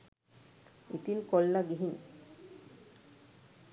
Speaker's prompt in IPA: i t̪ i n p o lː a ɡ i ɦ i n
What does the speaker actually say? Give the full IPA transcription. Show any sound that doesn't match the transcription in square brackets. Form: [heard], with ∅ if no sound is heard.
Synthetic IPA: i t̪ i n [k] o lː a ɡ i ɦ i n

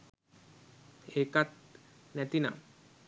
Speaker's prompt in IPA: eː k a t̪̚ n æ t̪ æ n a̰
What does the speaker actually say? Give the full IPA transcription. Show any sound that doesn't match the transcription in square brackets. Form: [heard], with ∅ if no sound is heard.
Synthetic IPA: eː k a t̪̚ n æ t̪ [i] n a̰

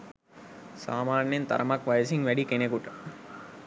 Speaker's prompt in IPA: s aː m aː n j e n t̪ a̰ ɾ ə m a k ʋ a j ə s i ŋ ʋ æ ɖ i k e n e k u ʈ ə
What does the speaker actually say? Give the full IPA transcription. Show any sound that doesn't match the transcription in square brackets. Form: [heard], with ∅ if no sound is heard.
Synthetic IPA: s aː m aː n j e n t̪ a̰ ɾ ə m a k ʋ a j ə s i ŋ ʋ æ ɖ i k e n e k u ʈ ə

